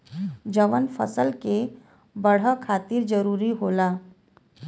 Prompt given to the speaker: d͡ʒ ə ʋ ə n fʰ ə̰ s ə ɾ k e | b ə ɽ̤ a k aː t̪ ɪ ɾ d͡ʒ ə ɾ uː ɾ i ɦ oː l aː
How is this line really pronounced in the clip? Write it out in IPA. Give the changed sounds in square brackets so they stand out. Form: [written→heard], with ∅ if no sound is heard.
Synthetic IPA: d͡ʒ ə ʋ ə n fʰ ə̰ s ə [ɾ→l] k e | b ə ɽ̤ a [k→kʰ] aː t̪ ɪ ɾ d͡ʒ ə ɾ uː ɾ i ɦ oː l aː